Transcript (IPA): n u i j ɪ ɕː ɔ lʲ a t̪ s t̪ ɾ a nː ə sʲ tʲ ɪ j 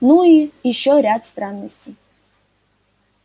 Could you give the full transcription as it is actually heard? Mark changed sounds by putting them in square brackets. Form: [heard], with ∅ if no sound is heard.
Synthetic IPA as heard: n u i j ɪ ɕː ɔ [ɾʲ] a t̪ s t̪ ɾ a nː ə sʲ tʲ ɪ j